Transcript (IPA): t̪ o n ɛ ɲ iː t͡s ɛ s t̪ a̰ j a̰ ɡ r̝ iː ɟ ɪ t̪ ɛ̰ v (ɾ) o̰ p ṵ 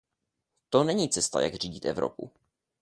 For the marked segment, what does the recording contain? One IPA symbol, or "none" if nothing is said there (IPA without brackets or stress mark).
ɾ